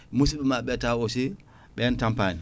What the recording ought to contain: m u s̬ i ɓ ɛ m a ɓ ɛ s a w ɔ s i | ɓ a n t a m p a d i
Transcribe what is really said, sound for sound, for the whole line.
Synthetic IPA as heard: m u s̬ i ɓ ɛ m a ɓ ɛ t a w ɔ s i | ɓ ɛ n t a m p a n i